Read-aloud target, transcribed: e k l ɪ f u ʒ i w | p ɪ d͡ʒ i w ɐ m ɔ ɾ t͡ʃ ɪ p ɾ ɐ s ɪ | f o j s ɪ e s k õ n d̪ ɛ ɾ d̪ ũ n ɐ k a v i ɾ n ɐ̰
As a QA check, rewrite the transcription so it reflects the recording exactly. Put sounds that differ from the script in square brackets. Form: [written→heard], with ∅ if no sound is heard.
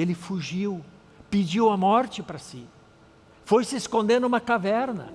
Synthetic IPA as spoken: e [k→∅] l ɪ f u ʒ i w | p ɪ d͡ʒ i w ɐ m ɔ ɾ t͡ʃ ɪ p ɾ ɐ s ɪ | f o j s ɪ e s k õ n d̪ [ɛ→e] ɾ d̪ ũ [n→m] ɐ k a v [i→ɛ] ɾ n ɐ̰